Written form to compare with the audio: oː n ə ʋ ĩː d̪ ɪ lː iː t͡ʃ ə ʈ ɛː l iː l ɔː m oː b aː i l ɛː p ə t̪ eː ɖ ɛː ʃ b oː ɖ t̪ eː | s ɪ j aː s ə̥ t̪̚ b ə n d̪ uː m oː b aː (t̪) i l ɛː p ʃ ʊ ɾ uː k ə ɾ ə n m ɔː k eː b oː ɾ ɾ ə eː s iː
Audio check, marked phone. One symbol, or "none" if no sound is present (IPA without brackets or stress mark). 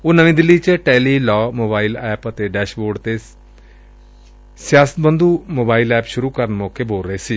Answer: none